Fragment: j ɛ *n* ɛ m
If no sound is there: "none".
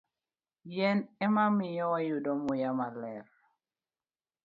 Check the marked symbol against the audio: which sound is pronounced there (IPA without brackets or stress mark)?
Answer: n